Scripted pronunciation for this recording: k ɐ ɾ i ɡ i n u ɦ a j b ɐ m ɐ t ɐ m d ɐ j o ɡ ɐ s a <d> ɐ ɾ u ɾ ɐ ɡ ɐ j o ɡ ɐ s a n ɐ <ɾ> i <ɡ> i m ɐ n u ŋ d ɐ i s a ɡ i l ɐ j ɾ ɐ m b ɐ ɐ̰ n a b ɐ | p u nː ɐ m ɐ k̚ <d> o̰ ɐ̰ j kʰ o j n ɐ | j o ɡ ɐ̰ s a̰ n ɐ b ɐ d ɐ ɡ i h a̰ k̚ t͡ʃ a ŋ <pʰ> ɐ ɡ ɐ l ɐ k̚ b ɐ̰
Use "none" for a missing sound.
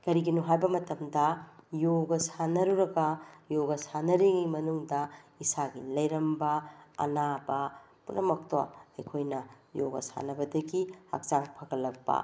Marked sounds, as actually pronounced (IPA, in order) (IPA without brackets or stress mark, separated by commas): n, ɾ, ŋ, t, pʰ